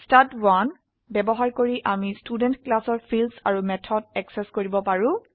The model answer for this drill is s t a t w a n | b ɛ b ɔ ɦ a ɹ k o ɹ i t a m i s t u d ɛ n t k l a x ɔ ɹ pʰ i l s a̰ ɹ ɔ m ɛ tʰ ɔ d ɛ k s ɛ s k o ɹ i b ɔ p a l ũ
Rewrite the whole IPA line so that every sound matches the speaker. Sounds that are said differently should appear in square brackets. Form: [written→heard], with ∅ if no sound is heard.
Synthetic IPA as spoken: s t a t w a n | b ɛ b ɔ ɦ a ɹ k o ɹ i [t→ʔ] a m i s t u d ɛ n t k l a [x→s] ɔ ɹ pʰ i l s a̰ ɹ [ɔ→u] m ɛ tʰ ɔ d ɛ k s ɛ s k o ɹ i b ɔ p a [l→ɹ] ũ